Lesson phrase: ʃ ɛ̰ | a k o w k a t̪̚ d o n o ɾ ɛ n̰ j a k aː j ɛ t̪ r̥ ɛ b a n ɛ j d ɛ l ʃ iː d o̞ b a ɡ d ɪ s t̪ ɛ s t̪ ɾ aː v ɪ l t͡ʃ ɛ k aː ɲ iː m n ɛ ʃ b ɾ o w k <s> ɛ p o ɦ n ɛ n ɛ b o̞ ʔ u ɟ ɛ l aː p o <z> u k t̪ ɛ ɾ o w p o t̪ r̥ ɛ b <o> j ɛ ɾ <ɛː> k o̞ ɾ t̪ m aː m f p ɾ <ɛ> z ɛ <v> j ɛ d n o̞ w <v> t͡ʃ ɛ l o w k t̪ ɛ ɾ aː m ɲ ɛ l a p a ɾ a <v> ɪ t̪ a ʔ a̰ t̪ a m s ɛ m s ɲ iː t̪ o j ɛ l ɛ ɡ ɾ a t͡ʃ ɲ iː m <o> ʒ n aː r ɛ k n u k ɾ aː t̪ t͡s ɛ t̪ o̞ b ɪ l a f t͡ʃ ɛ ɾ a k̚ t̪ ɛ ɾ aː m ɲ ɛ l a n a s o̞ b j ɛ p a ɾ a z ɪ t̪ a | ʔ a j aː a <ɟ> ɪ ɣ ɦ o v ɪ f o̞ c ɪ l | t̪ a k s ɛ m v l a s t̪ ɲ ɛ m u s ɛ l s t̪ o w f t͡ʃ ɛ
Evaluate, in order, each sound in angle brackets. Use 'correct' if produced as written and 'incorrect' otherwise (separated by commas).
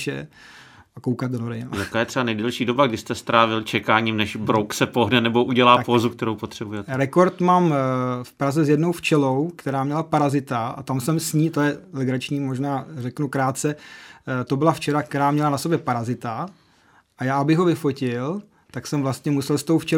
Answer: correct, correct, incorrect, incorrect, incorrect, incorrect, incorrect, incorrect, correct, incorrect